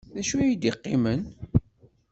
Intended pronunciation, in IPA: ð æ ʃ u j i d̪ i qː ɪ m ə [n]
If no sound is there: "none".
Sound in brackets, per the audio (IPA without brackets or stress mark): n